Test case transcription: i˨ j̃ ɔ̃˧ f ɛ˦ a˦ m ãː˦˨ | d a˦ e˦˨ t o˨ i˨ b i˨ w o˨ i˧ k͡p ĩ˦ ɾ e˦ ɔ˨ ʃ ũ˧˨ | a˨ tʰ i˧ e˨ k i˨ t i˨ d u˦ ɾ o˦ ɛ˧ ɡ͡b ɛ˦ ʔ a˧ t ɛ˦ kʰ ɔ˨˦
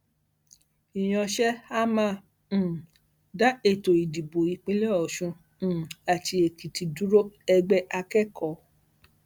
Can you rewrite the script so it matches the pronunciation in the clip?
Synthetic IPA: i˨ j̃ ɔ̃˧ ʃ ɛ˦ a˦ m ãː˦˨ | d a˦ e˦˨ t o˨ i˨ d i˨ b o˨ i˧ k͡p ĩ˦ l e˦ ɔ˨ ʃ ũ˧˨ | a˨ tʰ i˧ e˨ k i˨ t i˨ d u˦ ɾ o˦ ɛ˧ ɡ͡b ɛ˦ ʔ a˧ k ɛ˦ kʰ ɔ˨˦